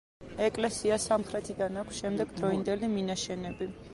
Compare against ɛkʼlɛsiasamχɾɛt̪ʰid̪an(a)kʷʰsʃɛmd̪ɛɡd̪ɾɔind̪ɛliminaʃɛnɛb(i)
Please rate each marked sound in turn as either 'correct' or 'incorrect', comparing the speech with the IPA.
correct, correct

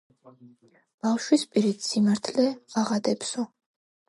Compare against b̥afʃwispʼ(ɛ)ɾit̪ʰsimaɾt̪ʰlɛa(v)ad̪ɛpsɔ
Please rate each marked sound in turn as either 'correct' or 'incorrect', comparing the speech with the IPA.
incorrect: i, incorrect: ʁ

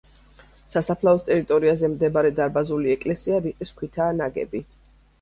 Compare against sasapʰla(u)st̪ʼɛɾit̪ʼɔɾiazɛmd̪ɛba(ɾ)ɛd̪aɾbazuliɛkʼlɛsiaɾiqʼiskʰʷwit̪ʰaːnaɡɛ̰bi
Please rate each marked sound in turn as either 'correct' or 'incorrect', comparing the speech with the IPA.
incorrect: ɔ, correct

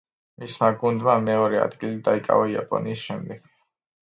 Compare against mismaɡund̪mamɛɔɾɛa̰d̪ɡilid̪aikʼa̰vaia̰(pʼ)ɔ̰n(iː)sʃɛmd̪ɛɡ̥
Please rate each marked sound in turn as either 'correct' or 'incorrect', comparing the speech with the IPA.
correct, correct

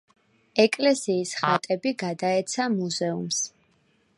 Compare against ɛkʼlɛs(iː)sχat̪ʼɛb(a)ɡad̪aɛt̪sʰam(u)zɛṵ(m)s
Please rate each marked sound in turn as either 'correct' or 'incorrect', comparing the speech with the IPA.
correct, incorrect: i, correct, correct

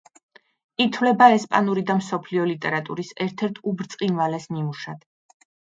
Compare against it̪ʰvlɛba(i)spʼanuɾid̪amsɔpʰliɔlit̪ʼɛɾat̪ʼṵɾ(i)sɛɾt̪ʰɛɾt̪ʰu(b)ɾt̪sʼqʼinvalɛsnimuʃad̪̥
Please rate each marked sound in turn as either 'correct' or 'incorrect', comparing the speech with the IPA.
incorrect: ɛ, correct, correct

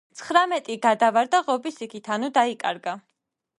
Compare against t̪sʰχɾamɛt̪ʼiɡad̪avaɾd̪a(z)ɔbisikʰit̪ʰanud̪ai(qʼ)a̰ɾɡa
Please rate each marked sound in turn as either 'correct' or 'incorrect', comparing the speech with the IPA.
incorrect: ʁ, incorrect: kʼ

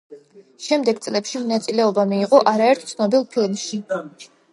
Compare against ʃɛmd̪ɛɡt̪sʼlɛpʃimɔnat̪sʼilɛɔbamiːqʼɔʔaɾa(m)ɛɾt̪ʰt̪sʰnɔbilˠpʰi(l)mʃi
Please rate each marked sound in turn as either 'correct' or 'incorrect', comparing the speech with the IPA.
incorrect: none, correct

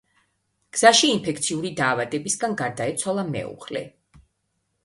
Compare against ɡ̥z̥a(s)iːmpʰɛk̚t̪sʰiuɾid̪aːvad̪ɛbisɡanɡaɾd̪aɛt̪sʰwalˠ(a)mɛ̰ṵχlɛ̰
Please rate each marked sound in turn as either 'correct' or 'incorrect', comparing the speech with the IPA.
incorrect: ʃ, correct

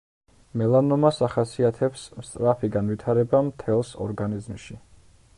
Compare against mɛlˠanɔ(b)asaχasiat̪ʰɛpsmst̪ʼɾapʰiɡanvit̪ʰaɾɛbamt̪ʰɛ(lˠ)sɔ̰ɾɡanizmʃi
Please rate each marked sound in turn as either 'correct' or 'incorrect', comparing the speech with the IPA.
incorrect: m, correct

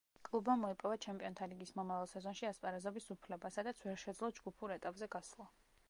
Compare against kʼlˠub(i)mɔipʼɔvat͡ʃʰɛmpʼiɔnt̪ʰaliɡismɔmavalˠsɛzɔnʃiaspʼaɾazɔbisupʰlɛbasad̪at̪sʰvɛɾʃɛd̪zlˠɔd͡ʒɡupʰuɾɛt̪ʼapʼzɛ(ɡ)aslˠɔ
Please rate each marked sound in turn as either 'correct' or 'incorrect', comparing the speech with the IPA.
incorrect: a, correct

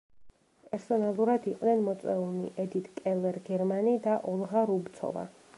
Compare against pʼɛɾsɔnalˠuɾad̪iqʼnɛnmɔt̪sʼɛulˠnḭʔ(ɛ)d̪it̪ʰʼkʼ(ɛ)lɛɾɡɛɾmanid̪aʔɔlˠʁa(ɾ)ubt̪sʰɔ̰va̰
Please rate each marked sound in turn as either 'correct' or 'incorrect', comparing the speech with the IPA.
correct, correct, correct

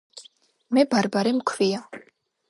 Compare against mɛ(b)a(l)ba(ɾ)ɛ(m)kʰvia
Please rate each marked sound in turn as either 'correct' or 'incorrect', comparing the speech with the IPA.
correct, incorrect: ɾ, correct, correct

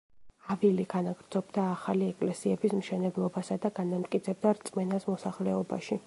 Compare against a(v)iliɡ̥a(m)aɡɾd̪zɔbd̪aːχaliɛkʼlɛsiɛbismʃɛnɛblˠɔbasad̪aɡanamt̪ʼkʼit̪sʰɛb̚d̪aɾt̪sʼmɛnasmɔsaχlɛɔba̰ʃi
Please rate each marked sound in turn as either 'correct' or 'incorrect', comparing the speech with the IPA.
correct, incorrect: n

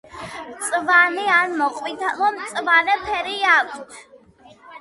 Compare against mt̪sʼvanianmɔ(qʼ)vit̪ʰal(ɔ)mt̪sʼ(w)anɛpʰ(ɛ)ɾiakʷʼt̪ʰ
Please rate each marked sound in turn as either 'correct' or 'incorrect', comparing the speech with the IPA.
correct, correct, incorrect: v, correct

